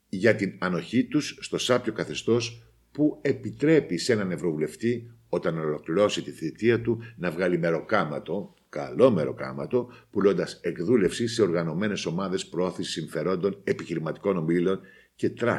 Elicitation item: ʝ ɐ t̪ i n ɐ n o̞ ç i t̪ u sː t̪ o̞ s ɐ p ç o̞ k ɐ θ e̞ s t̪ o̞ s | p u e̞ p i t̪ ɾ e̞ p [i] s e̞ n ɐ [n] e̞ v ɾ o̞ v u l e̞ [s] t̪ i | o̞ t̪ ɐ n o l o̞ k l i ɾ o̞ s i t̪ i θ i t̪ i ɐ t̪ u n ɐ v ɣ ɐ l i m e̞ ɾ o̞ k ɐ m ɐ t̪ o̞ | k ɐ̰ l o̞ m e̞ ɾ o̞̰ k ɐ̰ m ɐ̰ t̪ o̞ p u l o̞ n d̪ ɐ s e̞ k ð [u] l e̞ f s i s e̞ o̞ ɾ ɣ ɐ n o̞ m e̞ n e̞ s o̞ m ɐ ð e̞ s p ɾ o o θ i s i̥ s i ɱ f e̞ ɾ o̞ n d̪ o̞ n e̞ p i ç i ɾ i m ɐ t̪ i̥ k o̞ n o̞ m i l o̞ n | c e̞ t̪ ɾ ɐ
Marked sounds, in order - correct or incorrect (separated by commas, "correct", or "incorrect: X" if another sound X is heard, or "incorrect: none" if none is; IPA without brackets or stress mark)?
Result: correct, correct, incorrect: f, correct